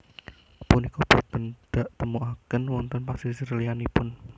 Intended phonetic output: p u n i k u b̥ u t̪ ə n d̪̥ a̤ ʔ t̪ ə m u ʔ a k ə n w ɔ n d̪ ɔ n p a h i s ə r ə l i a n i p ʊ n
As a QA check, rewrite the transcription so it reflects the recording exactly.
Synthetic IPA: p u n i k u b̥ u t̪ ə n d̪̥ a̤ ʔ t̪ ə m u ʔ a k ə n w ɔ n t̪ ɔ n p a s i s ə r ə l i a n i p ʊ n